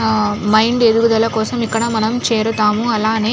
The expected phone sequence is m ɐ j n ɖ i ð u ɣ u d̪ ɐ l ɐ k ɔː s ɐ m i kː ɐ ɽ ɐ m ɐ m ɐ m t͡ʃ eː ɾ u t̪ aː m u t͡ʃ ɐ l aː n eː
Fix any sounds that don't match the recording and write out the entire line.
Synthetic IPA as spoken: m ɐ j ɳ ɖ e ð u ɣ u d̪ ɐ l ɐ k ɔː s ɐ m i kː ɐ ɽ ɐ m ɐ n ɐ m t͡ʃ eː ɾ u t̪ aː m u ɐ l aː n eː